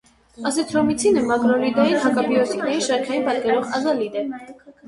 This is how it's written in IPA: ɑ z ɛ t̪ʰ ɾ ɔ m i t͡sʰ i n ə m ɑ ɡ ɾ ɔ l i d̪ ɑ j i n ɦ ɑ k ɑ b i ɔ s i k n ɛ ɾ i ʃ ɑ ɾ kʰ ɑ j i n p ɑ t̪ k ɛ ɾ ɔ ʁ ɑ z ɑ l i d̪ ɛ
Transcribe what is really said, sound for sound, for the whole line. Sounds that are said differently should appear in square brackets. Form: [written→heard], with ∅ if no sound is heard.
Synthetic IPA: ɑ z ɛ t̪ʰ ɾ ɔ m i t͡sʰ i n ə m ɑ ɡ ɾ ɔ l i d̪ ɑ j i n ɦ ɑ k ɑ b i ɔ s i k n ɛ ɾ i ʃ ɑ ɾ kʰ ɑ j i n p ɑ t̪ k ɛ ɾ ɔ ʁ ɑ z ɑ l i d̪ ɛ